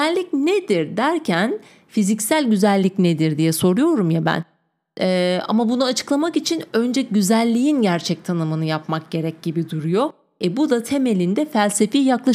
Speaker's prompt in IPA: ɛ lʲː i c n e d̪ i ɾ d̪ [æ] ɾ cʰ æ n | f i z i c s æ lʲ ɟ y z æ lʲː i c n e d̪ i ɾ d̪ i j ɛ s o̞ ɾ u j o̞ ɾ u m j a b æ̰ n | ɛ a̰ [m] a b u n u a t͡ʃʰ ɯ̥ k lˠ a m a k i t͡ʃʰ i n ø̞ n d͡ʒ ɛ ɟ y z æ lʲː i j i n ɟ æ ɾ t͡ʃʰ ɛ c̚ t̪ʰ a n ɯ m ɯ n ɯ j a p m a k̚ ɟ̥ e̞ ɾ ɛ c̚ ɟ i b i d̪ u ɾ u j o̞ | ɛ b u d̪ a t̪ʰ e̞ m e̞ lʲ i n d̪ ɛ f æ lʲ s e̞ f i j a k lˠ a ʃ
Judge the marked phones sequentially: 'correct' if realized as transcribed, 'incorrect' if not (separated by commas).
correct, correct